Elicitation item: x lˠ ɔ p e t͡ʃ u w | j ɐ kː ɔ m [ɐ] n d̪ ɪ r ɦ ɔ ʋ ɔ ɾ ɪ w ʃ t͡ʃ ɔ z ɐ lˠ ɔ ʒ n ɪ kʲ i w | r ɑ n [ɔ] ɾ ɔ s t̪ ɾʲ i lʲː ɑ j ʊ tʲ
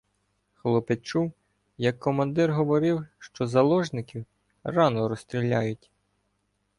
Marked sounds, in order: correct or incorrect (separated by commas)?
correct, correct